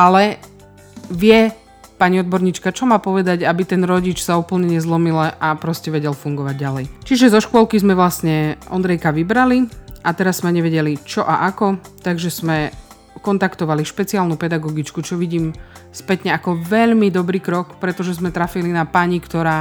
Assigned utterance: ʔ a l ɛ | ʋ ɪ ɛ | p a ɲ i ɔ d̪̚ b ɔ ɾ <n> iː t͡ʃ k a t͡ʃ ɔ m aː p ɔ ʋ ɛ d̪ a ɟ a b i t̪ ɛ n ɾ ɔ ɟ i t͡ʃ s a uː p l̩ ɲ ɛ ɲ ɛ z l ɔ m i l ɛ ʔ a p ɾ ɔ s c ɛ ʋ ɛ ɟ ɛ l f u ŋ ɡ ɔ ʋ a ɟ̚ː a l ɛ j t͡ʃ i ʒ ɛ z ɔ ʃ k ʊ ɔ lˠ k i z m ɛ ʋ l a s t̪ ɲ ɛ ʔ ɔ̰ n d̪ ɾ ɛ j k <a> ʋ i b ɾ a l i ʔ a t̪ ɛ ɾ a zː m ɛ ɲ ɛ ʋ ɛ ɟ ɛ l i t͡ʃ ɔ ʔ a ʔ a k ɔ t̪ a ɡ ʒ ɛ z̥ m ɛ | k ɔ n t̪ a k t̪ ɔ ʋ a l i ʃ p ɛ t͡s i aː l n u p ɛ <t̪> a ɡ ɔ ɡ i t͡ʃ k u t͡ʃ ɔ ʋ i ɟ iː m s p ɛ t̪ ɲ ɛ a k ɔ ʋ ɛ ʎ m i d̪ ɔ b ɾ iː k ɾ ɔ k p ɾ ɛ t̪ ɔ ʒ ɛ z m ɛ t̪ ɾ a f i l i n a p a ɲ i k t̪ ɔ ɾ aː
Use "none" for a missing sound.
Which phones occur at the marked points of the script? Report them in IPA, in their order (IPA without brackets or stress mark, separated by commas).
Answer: ɲ, a, d̪